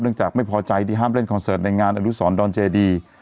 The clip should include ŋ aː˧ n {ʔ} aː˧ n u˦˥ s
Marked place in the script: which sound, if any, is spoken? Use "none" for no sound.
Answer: ʔ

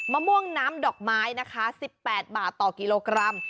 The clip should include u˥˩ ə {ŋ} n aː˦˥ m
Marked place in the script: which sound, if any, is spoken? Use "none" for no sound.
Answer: ŋ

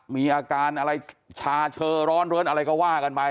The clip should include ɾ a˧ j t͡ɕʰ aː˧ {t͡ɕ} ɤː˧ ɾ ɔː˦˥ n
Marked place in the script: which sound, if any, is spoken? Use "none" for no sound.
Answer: t͡ɕʰ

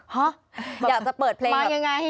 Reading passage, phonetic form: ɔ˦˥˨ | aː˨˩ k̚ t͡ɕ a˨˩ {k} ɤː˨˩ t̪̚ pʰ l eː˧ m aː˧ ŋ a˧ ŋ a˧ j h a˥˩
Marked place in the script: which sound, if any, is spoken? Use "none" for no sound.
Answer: p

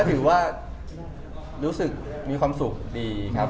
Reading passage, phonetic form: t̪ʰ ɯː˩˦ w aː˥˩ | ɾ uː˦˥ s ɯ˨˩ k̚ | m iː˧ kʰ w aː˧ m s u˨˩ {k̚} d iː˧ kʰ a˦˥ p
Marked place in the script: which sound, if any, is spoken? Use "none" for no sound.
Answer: k̚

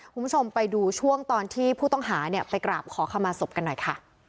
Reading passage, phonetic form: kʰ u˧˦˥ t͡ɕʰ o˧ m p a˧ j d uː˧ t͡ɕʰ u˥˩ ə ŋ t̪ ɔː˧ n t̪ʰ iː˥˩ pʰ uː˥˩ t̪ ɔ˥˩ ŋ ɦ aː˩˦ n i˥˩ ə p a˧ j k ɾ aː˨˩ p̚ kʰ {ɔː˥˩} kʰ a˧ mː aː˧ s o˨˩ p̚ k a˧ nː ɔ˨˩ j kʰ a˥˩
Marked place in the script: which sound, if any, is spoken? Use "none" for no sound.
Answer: ɔː˩˦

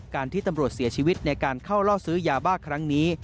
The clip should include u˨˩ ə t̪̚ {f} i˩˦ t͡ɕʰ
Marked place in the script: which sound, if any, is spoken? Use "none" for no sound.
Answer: s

